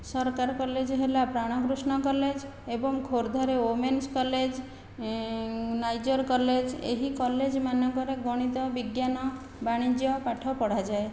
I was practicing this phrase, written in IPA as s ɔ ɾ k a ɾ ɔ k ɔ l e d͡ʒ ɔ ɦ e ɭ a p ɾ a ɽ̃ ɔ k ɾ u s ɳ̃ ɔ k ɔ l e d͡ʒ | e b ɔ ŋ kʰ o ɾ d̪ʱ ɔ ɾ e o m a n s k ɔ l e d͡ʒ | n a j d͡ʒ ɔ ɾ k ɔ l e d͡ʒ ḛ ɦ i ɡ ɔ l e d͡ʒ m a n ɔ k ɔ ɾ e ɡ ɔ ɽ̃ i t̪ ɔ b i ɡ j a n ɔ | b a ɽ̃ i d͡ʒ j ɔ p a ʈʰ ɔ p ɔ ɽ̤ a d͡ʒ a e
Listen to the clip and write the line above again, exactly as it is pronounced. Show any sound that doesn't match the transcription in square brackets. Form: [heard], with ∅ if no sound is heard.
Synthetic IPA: s ɔ ɾ k a ɾ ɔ k ɔ l e d͡ʒ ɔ ɦ e [l] a p ɾ a ɽ̃ ɔ k ɾ u s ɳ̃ ɔ k ɔ l e d͡ʒ | e b ɔ ŋ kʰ o ɾ d̪ʱ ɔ ɾ e o m [e] n s k ɔ l e d͡ʒ | n a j d͡ʒ ɔ ɾ k ɔ l e d͡ʒ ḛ ɦ i [k] ɔ l e d͡ʒ m a n ɔ k ɔ ɾ e ɡ ɔ ɽ̃ i t̪ ɔ b i ɡ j a n ɔ | b a ɽ̃ i d͡ʒ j ɔ p a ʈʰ ɔ p ɔ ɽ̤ a d͡ʒ a e